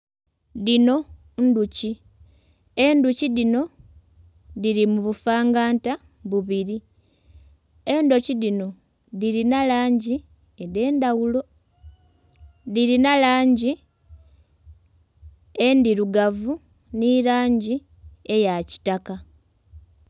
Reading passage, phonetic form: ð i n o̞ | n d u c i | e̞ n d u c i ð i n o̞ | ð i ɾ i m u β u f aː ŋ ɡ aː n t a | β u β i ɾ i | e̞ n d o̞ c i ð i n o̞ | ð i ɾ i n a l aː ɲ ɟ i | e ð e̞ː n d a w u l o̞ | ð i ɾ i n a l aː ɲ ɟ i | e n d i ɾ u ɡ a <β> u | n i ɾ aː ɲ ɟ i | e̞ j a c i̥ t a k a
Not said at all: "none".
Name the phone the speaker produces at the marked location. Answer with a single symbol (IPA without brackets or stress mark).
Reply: v